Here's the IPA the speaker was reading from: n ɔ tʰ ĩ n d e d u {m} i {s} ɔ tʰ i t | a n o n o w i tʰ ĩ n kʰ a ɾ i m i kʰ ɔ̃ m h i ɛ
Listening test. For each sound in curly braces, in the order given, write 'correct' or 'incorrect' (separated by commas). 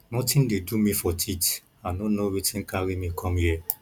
correct, incorrect